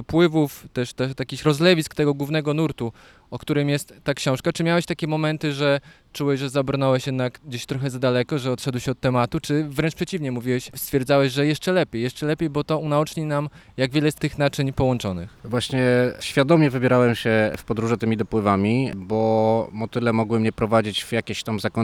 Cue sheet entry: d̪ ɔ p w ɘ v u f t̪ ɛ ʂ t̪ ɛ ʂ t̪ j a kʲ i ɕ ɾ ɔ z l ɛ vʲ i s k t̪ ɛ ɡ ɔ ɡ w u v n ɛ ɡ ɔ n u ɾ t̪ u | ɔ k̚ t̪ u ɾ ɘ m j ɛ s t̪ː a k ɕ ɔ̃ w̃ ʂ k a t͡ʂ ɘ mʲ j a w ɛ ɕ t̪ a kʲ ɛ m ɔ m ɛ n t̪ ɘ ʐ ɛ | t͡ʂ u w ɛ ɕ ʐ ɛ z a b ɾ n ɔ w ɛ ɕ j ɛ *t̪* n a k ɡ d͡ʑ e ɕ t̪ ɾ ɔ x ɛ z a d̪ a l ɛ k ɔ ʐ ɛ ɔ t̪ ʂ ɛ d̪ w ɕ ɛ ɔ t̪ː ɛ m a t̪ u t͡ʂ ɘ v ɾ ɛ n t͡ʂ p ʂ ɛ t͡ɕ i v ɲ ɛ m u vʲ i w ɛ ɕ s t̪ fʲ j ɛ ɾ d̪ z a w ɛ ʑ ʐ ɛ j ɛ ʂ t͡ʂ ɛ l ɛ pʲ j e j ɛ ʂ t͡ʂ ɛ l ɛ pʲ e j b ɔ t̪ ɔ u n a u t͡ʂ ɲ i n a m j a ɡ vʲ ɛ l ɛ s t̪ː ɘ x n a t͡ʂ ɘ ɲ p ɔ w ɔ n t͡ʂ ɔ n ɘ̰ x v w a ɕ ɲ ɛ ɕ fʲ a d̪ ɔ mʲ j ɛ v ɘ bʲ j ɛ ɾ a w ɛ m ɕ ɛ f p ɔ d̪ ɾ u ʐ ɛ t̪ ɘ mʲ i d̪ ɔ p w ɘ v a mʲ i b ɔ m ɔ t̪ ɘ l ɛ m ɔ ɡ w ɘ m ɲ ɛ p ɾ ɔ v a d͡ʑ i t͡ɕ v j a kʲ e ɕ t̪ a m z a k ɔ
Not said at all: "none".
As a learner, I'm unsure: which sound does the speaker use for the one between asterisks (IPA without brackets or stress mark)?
d̪